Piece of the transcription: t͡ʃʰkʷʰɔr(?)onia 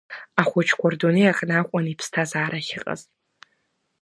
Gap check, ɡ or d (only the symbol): d